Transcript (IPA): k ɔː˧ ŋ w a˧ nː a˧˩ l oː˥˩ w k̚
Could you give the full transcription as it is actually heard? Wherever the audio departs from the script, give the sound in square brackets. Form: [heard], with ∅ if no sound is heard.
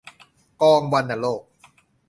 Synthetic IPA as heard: k ɔː˧ ŋ w a˧ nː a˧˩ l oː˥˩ [∅] k̚